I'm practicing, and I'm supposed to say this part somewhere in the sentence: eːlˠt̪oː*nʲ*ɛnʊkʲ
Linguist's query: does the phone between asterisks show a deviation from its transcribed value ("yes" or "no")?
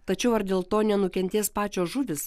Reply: no